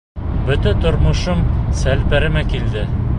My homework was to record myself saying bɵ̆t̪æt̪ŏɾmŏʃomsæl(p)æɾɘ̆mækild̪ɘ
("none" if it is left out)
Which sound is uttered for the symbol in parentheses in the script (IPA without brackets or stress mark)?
p